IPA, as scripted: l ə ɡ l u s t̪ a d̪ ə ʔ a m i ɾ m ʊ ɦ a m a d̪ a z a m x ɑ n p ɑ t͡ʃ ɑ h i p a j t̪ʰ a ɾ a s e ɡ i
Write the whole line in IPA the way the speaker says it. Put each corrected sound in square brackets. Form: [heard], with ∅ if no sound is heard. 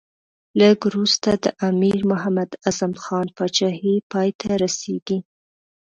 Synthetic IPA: l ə ɡ [ɾ] u s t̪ a d̪ ə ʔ a m i ɾ m ʊ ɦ a m a d̪ a z a m x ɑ n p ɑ t͡ʃ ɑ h i p [ɑ] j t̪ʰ a ɾ a s e ɡ i

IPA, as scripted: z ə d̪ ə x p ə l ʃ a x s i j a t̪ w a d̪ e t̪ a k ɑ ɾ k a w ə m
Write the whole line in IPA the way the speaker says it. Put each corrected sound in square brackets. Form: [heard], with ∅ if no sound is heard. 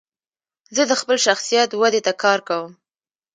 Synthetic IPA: z ə d̪ ə x p ə l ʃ a x s i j a t̪ w a d̪ e t̪ a k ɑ ɾ k a w ə m

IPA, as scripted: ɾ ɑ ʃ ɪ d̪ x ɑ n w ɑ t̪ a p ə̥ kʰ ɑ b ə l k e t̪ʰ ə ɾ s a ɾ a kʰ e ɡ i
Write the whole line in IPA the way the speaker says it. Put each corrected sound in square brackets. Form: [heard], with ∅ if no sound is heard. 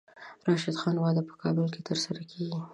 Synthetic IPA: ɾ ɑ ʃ ɪ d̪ x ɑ n w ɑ [d̪] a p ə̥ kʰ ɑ b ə l k e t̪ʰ ə ɾ s a ɾ a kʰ e ɡ i

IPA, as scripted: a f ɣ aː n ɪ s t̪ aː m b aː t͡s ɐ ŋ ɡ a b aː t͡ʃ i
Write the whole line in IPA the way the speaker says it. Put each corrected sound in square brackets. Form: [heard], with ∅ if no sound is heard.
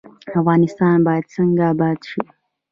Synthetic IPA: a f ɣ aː n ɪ s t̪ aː [n] b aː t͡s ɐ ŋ ɡ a b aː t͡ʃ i

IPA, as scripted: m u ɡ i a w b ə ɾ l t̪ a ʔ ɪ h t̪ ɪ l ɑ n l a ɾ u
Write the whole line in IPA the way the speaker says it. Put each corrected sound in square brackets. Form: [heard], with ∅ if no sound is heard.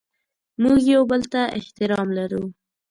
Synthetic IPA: m u ɡ [j] a w b ə [∅] l t̪ a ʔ ɪ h t̪ ɪ [ɾ] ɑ [m] l a ɾ u

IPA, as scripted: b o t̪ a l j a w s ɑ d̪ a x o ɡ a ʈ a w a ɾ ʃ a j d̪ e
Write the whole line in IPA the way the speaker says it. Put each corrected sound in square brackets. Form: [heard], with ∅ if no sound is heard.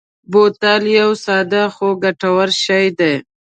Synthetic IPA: b o t̪ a l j a w s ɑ d̪ a x o ɡ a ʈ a w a ɾ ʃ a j d̪ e

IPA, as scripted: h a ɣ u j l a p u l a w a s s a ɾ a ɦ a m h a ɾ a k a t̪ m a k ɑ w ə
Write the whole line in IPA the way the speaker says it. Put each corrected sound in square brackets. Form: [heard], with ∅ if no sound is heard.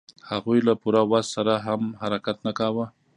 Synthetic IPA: h a ɣ u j l a p u [ɾ] a w a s s a ɾ a ɦ a m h a ɾ a k a t̪ [n] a k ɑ w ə

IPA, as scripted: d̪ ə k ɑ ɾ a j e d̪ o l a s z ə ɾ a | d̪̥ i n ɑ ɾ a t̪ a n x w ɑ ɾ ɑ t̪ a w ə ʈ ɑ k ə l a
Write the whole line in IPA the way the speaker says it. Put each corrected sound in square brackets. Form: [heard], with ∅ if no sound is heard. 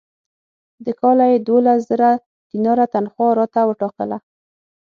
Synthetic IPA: d̪ ə k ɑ [l] a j e d̪ o l a s z ə ɾ a | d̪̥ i n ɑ ɾ a t̪ a n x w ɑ ɾ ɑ t̪ a w ə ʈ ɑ k ə l a

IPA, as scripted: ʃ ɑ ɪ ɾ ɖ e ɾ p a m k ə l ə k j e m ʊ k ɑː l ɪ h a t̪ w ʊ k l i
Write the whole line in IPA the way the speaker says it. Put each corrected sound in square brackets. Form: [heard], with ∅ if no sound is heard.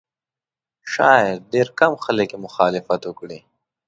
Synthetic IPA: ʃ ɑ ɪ ɾ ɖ e ɾ [k] a m [x] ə l ə k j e m ʊ [x] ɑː l ɪ [f] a t̪ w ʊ k [ɽ] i

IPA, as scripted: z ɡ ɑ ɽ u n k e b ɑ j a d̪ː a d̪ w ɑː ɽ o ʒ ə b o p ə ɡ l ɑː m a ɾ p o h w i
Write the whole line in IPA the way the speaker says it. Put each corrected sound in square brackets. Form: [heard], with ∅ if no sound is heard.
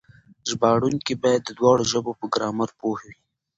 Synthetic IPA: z [b] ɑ ɽ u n k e b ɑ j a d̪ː [ə] d̪ w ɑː ɽ o ʒ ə b o p ə ɡ [ɾ] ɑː m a ɾ p o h w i

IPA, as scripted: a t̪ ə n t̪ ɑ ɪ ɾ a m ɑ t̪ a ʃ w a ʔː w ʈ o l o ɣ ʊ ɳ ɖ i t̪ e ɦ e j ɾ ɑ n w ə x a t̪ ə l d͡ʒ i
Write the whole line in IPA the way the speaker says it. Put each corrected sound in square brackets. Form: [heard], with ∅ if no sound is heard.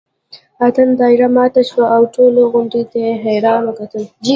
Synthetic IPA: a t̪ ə n [d̪] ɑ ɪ ɾ a m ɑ t̪ a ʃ w a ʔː w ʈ o l o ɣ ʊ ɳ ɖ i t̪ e ɦ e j ɾ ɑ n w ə [k] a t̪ ə l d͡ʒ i

